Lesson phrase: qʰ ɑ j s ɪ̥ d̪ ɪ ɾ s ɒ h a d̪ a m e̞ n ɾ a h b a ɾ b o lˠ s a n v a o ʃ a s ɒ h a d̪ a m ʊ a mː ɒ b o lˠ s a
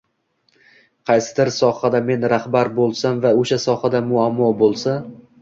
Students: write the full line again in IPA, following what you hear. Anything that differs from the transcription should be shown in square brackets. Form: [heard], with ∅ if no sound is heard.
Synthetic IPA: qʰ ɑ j s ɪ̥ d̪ ɪ ɾ s ɒ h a d̪ a m e̞ n ɾ a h b a ɾ b o lˠ s a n v a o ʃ a s ɒ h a d̪ a m ʊ a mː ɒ b o lˠ s a